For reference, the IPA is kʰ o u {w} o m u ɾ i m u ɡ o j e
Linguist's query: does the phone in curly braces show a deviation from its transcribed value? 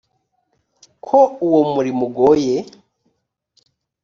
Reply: no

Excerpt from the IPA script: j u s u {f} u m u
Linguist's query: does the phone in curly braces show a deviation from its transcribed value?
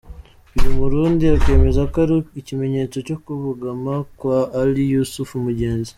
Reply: no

